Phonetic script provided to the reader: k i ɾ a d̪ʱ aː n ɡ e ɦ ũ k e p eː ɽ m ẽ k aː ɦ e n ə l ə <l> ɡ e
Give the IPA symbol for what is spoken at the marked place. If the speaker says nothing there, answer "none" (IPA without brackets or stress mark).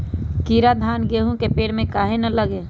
none